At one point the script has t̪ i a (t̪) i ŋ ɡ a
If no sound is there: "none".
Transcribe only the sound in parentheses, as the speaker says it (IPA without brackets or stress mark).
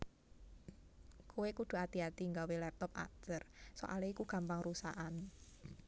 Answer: t̪